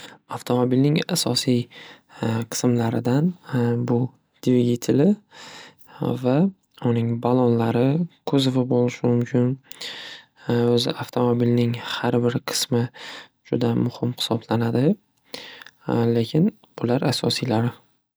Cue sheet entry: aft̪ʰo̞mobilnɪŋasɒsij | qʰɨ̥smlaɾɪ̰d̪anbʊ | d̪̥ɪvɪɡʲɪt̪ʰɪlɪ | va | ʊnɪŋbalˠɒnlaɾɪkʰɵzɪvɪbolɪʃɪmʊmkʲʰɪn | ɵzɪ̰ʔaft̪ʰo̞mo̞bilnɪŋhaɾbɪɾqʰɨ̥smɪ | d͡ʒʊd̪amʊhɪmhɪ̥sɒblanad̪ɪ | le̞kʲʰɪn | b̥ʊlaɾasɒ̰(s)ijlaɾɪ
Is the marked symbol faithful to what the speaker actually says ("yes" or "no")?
yes